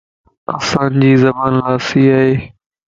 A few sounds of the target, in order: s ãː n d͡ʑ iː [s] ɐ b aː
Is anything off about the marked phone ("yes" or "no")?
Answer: yes